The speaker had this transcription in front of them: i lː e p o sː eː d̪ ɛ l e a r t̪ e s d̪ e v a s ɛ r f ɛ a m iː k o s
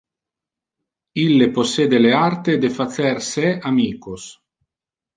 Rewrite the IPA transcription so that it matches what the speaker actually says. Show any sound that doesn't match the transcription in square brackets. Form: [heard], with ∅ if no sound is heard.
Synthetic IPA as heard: i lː e p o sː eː d̪ [e] l e a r t̪ e [∅] d̪ e [f] a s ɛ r [s] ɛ a m iː k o s